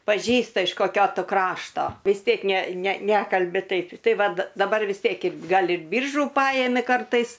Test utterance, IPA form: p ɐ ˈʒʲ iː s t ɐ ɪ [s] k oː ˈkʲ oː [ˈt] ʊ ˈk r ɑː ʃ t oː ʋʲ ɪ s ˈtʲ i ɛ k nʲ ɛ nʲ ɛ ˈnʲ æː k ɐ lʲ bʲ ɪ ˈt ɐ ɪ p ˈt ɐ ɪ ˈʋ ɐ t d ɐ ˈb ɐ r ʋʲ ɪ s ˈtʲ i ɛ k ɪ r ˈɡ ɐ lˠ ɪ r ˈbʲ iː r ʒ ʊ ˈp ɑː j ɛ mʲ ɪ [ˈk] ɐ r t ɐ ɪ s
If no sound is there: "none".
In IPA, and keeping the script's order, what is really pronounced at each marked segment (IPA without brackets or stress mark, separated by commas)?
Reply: ʃ, t, k